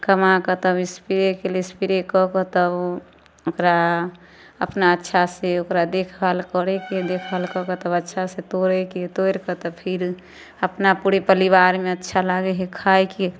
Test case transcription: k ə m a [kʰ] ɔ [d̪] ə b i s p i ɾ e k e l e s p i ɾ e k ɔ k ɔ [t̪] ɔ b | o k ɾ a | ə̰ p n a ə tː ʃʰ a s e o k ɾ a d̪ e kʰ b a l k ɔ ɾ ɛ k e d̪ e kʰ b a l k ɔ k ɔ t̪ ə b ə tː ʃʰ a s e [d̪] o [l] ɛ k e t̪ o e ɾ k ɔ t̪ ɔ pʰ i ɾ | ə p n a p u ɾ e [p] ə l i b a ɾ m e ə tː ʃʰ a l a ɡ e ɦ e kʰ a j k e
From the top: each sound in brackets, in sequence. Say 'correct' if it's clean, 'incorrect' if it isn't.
incorrect: k, incorrect: t̪, correct, incorrect: t̪, incorrect: ɾ, correct

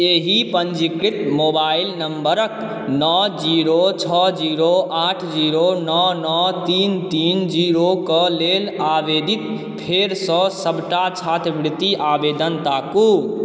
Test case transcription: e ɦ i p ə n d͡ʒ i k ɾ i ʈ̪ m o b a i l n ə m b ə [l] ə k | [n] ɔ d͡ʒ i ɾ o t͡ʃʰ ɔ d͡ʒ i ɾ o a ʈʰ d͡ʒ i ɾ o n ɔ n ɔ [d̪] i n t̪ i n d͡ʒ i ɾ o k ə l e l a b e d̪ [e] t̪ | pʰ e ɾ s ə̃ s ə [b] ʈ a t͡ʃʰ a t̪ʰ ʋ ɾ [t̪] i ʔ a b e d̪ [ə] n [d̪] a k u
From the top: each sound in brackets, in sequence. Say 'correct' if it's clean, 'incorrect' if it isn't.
incorrect: ɾ, correct, incorrect: t̪, incorrect: i, correct, correct, correct, incorrect: t̪

